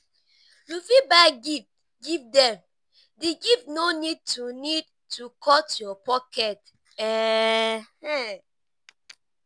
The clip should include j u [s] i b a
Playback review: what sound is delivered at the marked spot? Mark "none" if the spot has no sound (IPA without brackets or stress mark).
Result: f